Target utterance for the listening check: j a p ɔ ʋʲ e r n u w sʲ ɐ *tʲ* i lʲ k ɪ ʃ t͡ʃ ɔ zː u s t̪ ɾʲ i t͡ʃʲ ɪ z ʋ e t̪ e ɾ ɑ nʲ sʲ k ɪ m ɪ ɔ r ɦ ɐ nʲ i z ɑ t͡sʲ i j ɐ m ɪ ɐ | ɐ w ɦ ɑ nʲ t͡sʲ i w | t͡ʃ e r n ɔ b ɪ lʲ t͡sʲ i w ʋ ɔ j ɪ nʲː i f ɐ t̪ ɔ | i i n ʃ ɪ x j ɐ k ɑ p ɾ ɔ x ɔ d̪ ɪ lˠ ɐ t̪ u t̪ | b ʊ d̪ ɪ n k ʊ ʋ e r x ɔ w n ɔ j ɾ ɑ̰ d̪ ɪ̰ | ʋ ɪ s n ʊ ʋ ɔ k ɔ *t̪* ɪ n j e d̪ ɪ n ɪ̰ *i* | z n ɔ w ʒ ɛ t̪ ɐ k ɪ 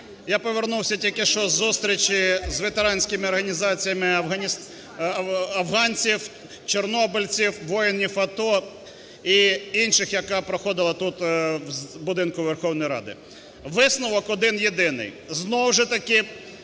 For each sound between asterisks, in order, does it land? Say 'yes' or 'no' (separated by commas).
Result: yes, no, no